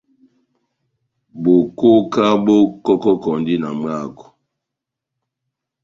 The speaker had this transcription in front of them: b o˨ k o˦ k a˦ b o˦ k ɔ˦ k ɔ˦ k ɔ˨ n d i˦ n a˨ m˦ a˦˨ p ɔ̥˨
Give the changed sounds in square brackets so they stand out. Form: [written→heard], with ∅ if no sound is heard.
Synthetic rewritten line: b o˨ k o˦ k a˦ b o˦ k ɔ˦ k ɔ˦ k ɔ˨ n d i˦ n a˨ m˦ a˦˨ [p→k] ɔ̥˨